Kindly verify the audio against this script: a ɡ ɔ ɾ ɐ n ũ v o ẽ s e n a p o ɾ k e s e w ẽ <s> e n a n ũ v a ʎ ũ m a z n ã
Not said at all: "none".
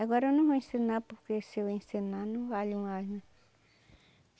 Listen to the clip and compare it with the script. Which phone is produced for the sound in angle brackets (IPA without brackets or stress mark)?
s